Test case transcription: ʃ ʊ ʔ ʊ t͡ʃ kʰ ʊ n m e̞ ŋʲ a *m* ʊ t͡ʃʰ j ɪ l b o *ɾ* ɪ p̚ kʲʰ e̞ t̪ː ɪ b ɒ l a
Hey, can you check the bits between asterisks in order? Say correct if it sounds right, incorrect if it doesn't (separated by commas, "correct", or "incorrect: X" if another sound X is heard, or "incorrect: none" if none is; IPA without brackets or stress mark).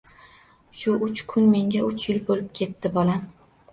incorrect: none, incorrect: l